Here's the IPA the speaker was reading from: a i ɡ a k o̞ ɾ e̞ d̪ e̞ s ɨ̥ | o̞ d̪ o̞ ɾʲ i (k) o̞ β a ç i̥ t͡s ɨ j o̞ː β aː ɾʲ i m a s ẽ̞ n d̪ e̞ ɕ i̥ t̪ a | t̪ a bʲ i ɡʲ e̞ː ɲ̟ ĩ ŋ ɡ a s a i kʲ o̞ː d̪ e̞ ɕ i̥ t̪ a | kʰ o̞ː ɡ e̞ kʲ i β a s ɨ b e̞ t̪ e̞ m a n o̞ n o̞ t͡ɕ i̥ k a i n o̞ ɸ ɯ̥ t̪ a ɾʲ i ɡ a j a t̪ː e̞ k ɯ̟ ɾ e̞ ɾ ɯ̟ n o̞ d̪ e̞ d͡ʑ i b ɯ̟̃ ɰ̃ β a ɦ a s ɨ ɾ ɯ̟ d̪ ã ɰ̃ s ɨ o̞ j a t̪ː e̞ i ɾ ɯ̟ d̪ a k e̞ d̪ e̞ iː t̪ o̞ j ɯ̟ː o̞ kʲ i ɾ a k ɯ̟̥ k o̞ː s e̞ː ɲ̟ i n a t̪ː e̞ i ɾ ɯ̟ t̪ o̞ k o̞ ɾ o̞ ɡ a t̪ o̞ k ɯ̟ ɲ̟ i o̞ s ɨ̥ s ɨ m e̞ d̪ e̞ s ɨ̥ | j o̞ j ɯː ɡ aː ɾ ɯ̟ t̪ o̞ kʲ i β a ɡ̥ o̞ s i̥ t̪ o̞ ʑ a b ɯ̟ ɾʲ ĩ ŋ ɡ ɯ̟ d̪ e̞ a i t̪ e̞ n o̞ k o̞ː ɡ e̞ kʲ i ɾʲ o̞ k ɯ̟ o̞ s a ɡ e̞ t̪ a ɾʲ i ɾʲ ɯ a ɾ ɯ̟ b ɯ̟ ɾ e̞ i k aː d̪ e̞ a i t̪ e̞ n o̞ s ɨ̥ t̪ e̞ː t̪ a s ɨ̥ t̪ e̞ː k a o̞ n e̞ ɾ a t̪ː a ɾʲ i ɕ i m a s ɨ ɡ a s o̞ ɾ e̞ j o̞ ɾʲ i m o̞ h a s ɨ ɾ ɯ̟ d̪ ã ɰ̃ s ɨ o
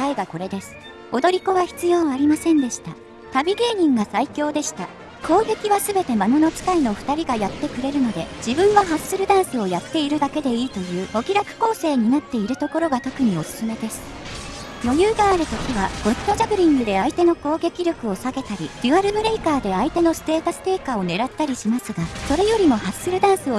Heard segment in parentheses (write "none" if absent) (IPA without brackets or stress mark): k